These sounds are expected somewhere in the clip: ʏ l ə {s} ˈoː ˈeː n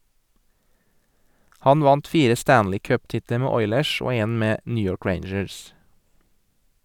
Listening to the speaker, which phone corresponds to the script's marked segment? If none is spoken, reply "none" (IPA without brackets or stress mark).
ʃ